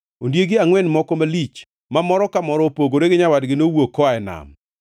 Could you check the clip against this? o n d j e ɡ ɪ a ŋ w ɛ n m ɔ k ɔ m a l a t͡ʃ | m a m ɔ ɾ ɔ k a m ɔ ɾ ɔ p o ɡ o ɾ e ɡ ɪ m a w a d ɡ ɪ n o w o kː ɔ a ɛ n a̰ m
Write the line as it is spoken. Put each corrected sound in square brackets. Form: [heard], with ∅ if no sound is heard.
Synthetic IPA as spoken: o n d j e ɡ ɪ a ŋ w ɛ n m ɔ k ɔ m a l [i] t͡ʃ | m a m ɔ ɾ ɔ k a m ɔ ɾ ɔ p o ɡ o ɾ e ɡ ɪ [ɲ] a w a d ɡ ɪ n o w o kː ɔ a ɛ n a̰ m